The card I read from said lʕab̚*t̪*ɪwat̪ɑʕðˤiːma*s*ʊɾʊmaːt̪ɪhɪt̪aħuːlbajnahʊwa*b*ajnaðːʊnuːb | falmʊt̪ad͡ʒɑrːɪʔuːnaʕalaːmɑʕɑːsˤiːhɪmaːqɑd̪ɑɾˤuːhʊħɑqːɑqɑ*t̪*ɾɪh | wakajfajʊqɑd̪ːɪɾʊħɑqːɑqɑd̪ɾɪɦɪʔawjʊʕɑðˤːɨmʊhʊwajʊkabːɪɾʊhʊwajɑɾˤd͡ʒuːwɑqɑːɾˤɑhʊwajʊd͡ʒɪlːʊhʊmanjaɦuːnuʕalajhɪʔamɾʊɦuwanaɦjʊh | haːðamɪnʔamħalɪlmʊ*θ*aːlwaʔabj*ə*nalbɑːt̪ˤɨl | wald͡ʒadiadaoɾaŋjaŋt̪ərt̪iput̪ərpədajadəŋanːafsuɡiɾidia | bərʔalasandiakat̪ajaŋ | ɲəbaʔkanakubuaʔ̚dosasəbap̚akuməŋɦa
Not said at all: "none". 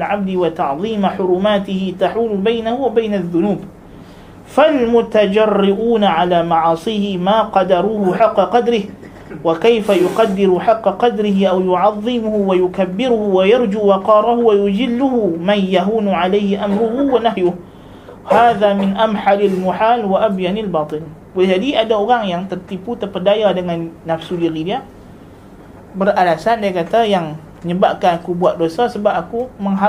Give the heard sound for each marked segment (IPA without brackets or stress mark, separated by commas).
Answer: d̪, ħ, b, d̪, ħ, a